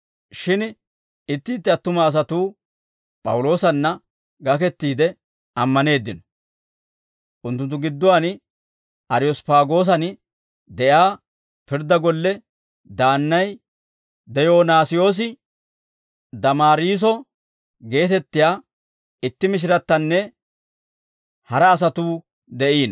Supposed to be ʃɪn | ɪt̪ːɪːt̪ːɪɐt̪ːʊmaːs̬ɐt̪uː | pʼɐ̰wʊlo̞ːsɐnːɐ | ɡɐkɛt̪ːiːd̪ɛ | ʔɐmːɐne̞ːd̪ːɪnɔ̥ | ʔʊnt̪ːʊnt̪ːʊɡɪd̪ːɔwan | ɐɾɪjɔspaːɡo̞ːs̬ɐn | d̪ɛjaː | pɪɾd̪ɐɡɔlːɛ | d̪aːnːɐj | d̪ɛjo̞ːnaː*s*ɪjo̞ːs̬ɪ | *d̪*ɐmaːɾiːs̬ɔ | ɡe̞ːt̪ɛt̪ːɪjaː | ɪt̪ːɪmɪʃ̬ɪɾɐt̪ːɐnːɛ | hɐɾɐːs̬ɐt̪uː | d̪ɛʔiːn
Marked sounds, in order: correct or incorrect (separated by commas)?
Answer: correct, correct